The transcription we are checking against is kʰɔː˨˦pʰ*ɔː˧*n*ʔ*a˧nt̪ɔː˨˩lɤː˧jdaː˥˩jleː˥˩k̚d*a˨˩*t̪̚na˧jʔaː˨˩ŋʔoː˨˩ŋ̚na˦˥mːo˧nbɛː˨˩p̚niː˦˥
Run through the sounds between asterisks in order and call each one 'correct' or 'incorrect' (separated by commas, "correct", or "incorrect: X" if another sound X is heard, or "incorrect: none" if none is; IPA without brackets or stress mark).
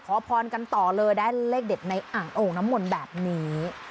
correct, incorrect: k, incorrect: e˨˩